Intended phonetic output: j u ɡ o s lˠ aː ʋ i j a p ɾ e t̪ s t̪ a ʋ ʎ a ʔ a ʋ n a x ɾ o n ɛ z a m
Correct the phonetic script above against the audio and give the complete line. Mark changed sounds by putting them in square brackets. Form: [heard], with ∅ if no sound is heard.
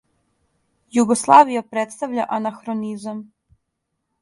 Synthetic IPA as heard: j u ɡ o s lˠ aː ʋ i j a p ɾ e t̪ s t̪ a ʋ ʎ a ʔ a [∅] n a x ɾ o n [i] z a m